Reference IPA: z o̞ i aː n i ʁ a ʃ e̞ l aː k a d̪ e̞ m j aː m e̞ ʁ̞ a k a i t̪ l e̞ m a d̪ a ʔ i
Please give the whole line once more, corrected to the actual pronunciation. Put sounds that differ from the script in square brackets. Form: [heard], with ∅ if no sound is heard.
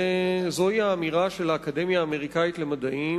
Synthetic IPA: z o̞ i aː [m] i ʁ a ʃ e̞ l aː k a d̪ e̞ m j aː m e̞ ʁ̞ [i] k a i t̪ l e̞ m a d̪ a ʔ i